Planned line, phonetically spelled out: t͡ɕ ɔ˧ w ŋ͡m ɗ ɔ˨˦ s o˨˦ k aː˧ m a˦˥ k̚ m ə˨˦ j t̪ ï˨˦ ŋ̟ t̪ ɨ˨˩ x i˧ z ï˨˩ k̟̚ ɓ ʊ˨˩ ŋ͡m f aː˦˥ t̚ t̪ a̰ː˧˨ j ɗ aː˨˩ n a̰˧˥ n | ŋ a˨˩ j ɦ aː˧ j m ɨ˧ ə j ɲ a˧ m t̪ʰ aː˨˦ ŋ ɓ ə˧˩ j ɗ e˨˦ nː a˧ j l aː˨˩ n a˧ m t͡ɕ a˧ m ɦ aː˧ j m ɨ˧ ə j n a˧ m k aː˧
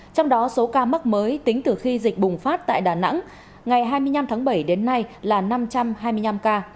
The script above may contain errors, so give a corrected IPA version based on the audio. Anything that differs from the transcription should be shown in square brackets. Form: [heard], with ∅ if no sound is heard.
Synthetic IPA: t͡ɕ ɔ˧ w ŋ͡m ɗ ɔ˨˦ s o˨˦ k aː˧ m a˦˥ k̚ m [əː˨˦] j t̪ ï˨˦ ŋ̟ t̪ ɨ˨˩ x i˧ z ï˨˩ k̟̚ ɓ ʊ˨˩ ŋ͡m f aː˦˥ t̚ t̪ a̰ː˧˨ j ɗ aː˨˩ n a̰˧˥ [ŋ] | ŋ a˨˩ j ɦ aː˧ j m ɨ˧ ə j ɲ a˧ m t̪ʰ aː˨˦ ŋ ɓ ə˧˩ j ɗ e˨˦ nː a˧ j l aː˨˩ n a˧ m t͡ɕ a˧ m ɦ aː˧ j m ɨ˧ ə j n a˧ m k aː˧